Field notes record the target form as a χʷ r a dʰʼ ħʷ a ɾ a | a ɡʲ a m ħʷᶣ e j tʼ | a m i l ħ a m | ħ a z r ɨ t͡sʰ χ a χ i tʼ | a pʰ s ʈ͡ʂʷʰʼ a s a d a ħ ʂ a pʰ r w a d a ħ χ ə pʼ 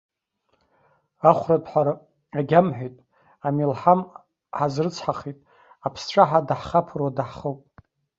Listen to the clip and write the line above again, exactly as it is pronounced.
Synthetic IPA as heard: a χʷ r a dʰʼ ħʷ a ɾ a | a ɡʲ a m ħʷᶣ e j tʼ | a m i l ħ a m | ħ a z r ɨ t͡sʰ ħ a χ i tʼ | a pʰ s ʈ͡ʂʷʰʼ a ħ a d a ħ χ a pʰ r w a d a ħ χ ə pʼ